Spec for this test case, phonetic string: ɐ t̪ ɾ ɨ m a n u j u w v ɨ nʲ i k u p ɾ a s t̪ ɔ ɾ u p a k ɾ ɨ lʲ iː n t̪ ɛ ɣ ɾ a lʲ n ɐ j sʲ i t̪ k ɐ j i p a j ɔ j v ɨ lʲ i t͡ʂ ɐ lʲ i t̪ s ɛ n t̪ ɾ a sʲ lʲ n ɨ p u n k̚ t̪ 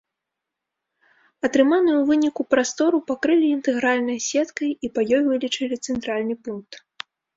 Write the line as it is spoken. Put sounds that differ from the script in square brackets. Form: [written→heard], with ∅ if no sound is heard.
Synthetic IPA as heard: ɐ t̪ ɾ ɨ m a n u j u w v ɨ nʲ i k u p ɾ a s t̪ ɔ ɾ u p a k ɾ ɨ lʲ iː n t̪ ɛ ɣ ɾ a lʲ n ɐ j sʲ [i→ɛ] t̪ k ɐ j i p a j ɔ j v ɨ lʲ i t͡ʂ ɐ lʲ i t̪ s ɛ n t̪ ɾ a [sʲ→∅] lʲ n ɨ p u n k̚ t̪